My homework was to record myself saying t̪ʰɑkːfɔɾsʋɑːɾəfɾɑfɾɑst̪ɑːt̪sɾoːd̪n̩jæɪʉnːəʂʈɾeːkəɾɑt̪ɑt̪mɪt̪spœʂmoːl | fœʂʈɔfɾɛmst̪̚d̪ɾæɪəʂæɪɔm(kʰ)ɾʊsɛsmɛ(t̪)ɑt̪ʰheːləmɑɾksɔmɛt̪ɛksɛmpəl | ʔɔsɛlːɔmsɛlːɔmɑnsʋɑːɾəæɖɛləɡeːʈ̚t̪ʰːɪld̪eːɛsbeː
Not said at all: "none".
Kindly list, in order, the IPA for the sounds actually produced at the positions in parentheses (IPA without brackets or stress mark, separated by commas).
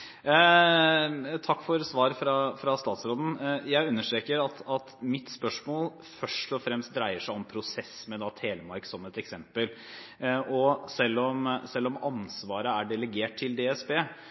pʰ, d̪